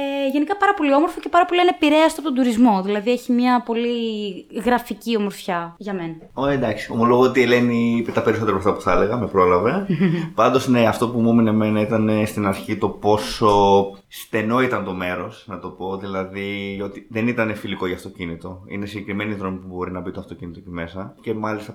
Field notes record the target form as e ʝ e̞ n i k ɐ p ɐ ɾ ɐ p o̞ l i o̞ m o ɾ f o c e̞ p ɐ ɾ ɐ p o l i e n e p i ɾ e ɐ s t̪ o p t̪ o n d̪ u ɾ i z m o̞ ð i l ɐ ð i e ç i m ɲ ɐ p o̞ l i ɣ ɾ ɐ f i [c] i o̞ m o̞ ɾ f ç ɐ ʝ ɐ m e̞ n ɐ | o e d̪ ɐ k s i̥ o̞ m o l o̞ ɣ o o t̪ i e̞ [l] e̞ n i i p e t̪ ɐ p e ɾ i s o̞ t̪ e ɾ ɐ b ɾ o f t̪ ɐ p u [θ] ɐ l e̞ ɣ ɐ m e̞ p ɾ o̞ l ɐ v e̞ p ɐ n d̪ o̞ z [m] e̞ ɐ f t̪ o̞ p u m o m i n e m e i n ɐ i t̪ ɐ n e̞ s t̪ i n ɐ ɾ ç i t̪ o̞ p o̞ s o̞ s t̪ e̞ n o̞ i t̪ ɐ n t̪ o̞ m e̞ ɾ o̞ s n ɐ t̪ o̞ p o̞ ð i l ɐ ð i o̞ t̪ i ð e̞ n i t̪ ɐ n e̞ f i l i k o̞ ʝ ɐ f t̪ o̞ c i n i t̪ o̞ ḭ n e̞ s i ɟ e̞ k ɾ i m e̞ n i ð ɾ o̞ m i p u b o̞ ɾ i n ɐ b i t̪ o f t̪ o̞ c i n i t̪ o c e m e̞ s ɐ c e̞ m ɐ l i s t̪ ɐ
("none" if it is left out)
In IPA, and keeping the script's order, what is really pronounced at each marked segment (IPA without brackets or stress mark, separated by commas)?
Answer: c, l, θ, n